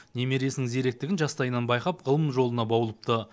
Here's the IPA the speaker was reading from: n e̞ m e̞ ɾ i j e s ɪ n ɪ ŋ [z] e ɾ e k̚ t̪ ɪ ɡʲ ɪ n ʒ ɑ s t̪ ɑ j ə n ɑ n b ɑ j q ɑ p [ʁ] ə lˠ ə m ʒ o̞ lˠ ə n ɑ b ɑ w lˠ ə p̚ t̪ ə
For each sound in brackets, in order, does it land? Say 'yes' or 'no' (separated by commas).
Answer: yes, yes